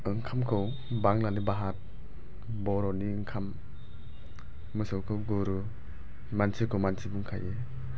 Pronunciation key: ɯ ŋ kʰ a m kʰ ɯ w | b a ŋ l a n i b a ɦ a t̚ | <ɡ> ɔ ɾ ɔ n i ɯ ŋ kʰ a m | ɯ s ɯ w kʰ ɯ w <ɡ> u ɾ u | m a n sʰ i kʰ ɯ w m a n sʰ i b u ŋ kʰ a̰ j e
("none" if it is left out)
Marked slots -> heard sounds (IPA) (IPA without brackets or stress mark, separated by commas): b, ɡ